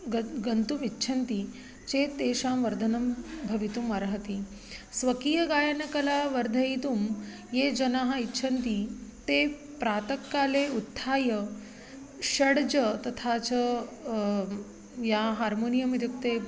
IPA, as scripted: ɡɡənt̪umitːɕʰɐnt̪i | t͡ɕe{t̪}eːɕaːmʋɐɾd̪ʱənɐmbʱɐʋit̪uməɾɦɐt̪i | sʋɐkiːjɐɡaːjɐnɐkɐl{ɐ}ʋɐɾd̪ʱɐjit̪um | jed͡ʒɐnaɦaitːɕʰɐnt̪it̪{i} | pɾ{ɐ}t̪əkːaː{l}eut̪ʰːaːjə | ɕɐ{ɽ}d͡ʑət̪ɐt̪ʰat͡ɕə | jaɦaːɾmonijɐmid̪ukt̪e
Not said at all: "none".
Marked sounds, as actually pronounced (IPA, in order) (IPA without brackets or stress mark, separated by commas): t̪, a, e, a, l, ɽ